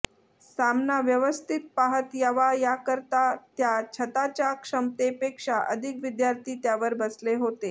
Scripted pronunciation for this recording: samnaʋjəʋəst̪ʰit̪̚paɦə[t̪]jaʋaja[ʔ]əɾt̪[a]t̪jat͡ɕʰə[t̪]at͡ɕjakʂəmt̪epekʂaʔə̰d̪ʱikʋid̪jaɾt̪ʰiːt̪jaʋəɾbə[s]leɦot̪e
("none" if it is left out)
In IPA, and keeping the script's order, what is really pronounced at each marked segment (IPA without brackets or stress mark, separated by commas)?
t̪, k, a, t̪, s